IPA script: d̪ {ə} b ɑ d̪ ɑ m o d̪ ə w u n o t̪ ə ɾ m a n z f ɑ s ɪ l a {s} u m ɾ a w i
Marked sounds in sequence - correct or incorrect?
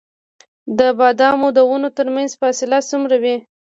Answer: correct, correct

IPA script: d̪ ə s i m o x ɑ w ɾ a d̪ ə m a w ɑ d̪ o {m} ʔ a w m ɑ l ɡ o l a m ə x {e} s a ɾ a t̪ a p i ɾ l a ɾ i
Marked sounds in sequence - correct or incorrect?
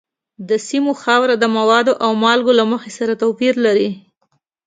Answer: incorrect: none, correct

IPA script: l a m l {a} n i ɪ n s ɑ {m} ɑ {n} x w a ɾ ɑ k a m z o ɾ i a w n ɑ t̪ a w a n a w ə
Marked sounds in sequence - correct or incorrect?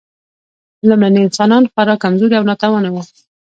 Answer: correct, incorrect: n, correct

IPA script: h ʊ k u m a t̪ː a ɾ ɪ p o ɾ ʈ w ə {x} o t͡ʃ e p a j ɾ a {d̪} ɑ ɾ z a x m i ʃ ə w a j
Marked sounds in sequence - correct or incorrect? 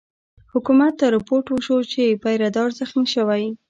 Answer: incorrect: ʃ, correct

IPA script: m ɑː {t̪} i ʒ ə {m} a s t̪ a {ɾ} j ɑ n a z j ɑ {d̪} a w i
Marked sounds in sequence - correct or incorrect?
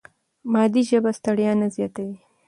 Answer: incorrect: d̪, incorrect: b, incorrect: ɽ, incorrect: t̪

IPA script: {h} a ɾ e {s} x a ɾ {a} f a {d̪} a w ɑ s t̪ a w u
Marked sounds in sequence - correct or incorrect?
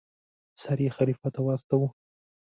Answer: incorrect: s, incorrect: none, incorrect: i, incorrect: t̪

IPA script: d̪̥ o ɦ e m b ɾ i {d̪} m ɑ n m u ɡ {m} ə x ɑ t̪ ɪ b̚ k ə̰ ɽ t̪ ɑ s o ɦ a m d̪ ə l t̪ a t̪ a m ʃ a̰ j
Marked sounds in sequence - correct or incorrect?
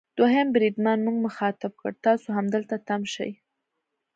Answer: correct, correct

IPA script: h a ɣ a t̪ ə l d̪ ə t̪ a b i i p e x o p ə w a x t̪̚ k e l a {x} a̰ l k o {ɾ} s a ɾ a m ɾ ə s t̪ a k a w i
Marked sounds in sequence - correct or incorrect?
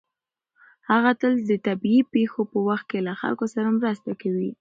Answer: correct, incorrect: none

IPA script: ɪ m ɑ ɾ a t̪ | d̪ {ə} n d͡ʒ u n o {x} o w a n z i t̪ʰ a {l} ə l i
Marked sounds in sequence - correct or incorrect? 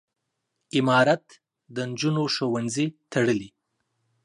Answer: correct, incorrect: ʃ, incorrect: ɽ

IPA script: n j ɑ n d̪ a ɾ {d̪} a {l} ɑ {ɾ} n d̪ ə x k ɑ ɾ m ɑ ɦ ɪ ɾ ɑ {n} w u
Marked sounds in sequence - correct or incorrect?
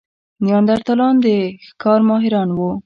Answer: incorrect: t̪, correct, incorrect: none, correct

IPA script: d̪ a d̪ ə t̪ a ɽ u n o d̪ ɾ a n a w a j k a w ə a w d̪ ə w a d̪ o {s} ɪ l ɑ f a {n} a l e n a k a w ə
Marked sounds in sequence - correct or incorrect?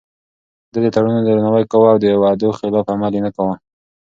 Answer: incorrect: x, incorrect: m

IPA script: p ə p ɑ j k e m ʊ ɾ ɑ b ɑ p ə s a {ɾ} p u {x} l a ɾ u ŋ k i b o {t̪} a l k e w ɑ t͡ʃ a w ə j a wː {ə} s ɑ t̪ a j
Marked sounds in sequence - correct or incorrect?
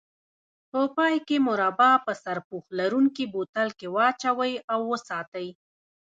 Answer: correct, correct, correct, correct

